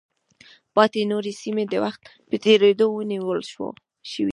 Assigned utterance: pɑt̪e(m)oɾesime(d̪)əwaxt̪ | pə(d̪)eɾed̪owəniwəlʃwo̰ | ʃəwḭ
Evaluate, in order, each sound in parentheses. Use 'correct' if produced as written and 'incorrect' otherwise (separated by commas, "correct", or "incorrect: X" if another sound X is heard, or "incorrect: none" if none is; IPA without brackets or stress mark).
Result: incorrect: n, correct, incorrect: t̪